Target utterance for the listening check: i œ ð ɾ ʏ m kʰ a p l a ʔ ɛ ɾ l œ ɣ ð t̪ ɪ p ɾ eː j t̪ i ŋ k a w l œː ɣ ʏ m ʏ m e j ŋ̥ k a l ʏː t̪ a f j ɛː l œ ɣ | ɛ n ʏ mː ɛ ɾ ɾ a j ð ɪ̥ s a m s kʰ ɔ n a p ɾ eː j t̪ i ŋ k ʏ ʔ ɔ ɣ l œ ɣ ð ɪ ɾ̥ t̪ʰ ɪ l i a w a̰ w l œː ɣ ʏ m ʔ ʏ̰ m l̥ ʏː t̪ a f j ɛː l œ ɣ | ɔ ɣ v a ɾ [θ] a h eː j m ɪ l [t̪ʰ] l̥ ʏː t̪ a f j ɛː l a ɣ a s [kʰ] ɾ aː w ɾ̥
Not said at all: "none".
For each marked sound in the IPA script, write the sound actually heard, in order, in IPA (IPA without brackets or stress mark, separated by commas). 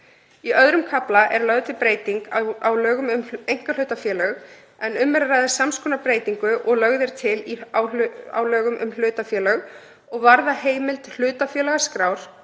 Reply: ð, t̪, k